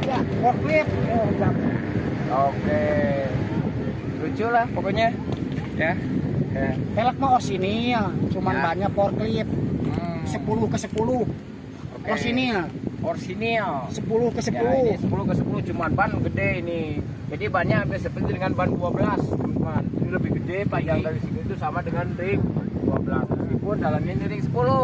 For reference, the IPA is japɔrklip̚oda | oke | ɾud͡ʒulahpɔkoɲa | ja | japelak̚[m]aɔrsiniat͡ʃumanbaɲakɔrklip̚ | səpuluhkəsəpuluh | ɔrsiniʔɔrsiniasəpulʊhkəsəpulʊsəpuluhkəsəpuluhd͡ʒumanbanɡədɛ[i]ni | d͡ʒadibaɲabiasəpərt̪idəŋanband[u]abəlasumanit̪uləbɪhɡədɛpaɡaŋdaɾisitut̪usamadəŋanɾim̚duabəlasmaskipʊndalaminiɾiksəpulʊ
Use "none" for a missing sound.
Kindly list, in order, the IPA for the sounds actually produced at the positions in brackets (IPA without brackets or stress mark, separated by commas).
m, i, u